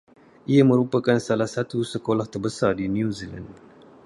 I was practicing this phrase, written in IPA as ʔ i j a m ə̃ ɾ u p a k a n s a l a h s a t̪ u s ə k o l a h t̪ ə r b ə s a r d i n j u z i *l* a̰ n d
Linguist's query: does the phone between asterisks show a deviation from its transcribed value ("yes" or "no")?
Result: no